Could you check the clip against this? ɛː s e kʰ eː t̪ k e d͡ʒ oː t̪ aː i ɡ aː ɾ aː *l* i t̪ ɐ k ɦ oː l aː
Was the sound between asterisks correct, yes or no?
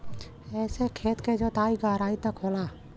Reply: no